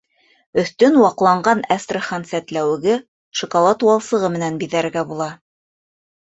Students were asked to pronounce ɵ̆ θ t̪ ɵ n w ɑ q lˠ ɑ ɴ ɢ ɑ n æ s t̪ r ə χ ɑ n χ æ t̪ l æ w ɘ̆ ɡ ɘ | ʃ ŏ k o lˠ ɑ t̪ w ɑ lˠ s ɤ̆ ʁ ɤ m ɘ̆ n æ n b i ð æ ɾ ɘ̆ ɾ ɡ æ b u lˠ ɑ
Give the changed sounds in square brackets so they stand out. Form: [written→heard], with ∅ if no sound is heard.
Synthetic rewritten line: ɵ̆ θ t̪ ɵ n w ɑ q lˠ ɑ ɴ ɢ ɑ n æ s t̪ r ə χ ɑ n [χ→s] æ t̪ l æ w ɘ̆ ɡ ɘ | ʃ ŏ k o lˠ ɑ t̪ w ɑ lˠ s ɤ̆ ʁ ɤ m ɘ̆ n æ n b i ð æ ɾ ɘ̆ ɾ ɡ æ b u lˠ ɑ